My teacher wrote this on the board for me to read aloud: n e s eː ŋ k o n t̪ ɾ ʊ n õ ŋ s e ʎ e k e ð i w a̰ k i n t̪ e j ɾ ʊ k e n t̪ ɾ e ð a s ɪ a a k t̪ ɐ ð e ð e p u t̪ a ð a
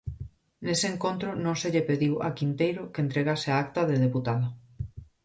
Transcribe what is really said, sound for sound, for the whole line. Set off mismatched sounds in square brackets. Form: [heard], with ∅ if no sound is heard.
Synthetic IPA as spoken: n e s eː ŋ k o n t̪ ɾ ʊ n õ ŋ s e ʎ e [p] e ð i w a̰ k i n t̪ e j ɾ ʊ k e n t̪ ɾ e [ɣ] a s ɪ a a k t̪ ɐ ð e ð e p u t̪ a ð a